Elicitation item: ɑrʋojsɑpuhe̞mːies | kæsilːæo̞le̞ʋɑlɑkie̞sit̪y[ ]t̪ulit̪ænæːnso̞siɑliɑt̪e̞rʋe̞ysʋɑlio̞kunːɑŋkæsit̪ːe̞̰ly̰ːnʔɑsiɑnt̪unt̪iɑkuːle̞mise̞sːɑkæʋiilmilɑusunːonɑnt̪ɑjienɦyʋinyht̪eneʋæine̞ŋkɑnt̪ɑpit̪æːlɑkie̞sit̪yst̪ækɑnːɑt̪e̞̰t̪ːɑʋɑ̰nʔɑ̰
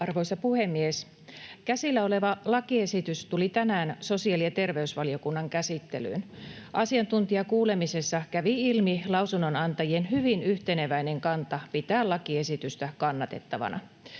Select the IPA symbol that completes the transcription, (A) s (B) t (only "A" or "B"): A